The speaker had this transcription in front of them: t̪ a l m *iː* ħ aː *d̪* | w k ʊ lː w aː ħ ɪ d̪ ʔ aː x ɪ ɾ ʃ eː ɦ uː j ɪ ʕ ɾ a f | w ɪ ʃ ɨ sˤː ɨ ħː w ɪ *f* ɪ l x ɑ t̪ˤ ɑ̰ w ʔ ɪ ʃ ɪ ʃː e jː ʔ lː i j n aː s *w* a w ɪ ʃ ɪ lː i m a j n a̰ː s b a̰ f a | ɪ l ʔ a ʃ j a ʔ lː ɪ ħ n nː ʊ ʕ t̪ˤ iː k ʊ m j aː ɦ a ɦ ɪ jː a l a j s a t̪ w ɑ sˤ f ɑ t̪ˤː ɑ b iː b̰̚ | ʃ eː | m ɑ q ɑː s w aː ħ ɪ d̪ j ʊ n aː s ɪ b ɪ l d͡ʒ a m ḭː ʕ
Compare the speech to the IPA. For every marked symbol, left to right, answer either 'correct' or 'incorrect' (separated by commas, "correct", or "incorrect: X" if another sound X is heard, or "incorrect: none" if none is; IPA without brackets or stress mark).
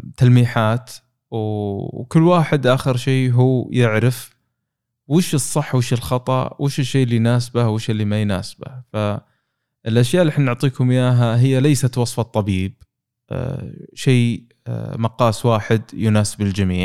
correct, incorrect: t̪, incorrect: ʃ, incorrect: b